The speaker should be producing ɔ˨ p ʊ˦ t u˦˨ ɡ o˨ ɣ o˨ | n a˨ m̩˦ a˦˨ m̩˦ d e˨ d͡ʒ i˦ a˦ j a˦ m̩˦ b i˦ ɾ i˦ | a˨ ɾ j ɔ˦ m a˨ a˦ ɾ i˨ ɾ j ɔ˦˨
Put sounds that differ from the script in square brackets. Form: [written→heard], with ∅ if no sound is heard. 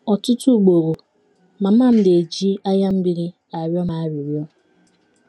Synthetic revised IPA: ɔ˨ [p→t] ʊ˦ t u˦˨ [ɡ→ɡ͡b] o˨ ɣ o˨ | [n→m] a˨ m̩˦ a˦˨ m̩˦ d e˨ d͡ʒ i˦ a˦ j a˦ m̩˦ b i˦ ɾ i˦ | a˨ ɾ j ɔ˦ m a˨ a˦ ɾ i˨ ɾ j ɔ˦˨